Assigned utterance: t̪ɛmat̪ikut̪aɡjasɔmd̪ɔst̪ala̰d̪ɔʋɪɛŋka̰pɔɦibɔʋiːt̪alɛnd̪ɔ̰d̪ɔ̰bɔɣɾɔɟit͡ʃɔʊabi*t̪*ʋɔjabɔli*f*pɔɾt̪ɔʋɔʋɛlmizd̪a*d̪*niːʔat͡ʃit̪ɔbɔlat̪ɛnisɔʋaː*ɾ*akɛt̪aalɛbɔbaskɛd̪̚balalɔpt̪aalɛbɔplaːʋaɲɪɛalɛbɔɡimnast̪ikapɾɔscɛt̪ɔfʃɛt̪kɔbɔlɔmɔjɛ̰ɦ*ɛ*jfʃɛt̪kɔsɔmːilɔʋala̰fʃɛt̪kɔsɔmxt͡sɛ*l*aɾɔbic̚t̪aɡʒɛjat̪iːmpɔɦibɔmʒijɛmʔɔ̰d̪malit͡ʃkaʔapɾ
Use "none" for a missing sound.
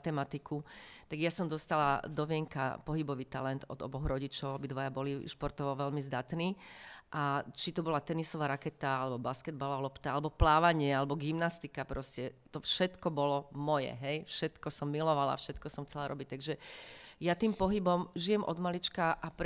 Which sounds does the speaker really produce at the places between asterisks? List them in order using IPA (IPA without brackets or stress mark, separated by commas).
d̪, ʃ, t̪, ɾ, ɛ, l